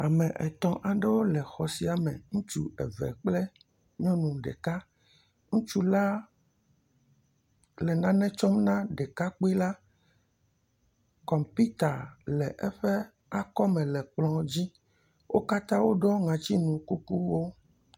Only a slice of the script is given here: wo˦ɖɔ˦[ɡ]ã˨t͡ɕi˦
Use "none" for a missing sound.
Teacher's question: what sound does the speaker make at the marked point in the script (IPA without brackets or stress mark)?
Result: ŋ